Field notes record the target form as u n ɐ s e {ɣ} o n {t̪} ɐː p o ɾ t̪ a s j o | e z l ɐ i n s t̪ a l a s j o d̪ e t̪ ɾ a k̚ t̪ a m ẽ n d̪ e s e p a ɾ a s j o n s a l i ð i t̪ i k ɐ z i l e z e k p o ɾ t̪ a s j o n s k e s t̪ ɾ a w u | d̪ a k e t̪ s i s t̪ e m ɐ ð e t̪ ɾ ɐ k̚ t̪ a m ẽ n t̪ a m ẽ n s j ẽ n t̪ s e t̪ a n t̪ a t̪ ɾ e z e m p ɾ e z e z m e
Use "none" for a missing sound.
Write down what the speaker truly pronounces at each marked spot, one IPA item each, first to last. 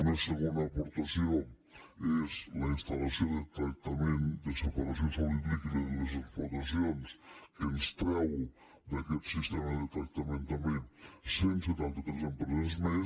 ɣ, d̪

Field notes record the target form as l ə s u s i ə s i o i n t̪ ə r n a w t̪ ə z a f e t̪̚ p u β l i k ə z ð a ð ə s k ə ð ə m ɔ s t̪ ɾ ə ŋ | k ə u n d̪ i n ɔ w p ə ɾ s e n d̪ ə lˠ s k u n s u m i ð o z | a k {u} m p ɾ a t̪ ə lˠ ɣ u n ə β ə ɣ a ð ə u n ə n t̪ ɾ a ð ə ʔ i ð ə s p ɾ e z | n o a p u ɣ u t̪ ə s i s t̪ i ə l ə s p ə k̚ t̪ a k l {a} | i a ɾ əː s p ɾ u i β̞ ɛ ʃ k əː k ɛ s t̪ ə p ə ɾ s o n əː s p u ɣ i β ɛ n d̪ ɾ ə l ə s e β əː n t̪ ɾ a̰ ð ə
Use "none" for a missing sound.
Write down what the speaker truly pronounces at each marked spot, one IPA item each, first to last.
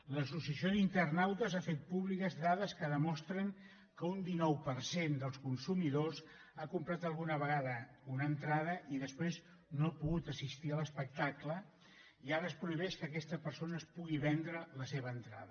u, ə

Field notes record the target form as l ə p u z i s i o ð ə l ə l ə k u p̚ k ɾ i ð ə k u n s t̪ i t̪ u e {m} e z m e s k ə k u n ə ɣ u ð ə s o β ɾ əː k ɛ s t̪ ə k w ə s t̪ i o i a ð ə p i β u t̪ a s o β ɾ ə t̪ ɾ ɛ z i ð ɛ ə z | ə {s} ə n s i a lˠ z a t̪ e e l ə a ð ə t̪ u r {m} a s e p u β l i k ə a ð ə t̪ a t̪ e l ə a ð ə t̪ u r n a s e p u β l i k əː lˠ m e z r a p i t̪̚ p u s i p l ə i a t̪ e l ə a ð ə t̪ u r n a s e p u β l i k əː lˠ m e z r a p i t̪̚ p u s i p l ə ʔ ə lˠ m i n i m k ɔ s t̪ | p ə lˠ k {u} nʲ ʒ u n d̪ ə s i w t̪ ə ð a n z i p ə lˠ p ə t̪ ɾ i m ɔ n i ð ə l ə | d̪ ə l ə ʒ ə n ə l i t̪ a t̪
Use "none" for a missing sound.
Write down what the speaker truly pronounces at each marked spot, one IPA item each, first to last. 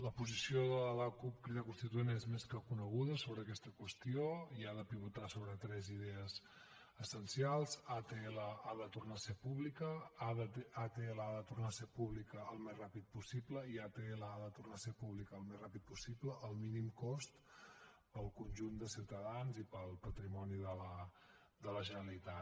n, s, n, u

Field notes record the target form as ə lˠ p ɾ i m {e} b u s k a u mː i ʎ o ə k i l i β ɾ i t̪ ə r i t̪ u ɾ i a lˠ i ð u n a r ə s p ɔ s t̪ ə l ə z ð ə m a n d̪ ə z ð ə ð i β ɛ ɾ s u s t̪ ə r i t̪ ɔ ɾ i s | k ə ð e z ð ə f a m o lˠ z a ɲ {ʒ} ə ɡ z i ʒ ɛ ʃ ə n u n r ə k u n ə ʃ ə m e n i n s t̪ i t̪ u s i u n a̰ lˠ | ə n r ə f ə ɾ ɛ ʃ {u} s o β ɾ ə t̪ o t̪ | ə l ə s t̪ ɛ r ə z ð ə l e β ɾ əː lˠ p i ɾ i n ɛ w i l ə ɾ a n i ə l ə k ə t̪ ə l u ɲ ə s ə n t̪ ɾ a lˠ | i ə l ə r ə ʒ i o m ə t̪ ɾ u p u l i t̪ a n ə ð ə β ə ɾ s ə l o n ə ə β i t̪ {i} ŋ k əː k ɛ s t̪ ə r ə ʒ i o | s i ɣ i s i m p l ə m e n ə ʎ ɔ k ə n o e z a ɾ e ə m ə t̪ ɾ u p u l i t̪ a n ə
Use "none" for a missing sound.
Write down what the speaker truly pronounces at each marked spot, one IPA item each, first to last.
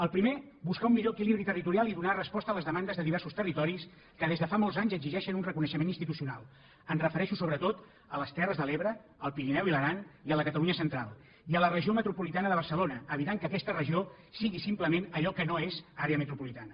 e, z, u, a

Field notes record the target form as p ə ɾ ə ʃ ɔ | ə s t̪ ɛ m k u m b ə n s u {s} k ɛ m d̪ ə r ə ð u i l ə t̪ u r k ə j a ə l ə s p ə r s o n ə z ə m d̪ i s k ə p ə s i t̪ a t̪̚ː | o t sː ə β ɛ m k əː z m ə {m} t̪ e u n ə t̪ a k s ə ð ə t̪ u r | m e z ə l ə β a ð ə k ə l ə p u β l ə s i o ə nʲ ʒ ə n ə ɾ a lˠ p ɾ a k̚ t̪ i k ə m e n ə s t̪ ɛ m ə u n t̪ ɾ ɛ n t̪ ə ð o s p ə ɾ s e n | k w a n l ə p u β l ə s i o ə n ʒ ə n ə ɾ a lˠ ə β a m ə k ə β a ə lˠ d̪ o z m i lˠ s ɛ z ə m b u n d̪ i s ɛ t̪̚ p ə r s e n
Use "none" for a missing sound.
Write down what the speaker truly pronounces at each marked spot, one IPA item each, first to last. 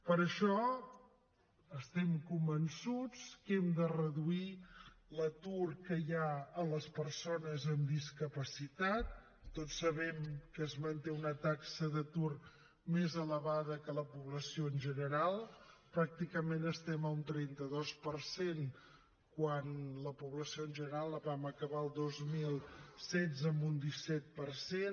t͡s, n

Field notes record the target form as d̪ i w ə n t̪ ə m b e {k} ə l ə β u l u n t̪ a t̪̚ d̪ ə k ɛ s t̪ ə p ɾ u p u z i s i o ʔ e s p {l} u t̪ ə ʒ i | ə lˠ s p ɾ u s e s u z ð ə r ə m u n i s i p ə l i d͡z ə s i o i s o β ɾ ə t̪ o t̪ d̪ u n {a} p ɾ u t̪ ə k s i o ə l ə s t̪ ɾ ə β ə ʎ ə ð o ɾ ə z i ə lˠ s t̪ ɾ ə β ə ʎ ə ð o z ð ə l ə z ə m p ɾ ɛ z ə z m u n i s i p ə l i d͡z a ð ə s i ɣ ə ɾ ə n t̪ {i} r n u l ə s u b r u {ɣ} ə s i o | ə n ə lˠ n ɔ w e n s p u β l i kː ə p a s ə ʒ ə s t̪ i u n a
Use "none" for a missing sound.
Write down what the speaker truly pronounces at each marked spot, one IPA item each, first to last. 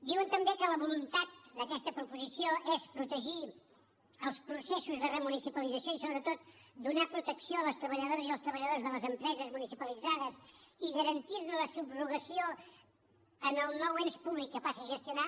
k, ɾ, a, i, ɣ

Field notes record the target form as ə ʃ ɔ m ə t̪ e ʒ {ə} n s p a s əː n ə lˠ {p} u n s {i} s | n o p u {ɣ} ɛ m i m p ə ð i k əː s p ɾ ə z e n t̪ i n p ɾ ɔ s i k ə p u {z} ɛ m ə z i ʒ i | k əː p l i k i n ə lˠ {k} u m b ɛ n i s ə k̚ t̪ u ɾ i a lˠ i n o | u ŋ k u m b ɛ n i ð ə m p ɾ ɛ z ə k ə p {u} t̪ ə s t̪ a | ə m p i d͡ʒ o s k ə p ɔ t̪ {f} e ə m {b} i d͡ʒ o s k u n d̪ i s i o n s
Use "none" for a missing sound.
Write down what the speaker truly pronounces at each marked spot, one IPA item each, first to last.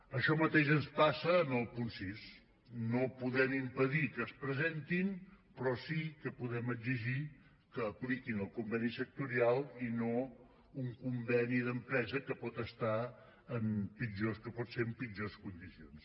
ə, p, i, ð, ð, k, ɔ, s, p

